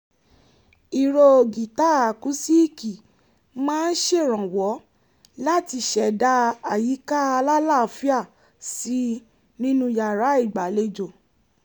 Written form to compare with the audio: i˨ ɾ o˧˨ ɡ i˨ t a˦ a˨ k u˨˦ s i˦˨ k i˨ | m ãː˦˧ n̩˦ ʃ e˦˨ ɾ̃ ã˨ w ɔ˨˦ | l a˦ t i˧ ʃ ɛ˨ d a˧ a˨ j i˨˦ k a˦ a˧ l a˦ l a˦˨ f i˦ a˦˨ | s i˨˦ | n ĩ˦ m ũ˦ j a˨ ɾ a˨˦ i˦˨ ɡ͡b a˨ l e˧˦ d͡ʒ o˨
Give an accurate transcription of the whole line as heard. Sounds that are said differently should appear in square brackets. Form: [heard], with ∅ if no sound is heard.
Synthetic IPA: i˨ ɾ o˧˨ ɡ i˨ t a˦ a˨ k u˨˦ s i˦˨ k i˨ | m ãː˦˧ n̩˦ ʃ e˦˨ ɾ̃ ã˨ w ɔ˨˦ | l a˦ t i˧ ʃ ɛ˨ d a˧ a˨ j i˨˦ k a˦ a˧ l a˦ l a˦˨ f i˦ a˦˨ | s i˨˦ | n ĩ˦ [n] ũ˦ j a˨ ɾ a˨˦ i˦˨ ɡ͡b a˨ l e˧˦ d͡ʒ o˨